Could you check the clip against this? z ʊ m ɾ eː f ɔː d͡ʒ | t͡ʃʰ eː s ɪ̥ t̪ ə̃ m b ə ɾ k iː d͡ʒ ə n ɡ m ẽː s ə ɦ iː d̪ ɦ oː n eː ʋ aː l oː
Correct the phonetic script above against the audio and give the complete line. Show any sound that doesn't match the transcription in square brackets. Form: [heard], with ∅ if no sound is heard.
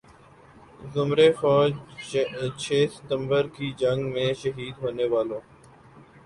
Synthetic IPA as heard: z ʊ m ɾ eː f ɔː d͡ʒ | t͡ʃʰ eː s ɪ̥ t̪ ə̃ m b ə ɾ k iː d͡ʒ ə [ŋ] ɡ m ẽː [ʃ] ə ɦ iː d̪ ɦ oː n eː ʋ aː l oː